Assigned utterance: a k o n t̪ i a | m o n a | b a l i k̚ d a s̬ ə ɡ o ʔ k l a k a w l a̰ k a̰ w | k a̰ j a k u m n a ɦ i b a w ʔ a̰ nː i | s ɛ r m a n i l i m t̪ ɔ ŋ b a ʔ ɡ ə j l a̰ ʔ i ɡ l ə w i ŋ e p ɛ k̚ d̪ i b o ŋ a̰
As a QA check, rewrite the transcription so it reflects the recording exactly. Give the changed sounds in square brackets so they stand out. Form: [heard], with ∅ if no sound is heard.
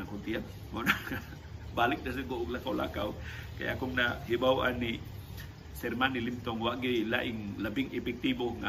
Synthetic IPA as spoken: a k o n t̪ i a | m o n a | b a l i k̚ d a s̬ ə ɡ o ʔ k l a k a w l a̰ k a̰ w | k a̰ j a k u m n a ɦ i b a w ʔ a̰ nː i | s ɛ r m a n i l i m t̪ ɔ ŋ [w] a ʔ ɡ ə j l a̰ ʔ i [ŋ] l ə [b] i ŋ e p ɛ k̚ [t̪] i b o ŋ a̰